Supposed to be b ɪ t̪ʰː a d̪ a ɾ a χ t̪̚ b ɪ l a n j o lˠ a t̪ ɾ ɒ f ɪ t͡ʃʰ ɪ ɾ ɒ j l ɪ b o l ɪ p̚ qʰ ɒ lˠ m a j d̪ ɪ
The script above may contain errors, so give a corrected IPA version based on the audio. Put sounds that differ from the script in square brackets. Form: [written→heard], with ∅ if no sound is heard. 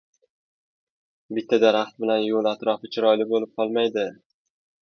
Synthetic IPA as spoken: b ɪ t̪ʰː a d̪ a ɾ a χ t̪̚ b ɪ l a n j o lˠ a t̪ ɾ ɒ f ɪ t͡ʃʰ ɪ ɾ ɒ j l ɪ b o l ɪ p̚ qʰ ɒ lˠ m a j d̪ ɪ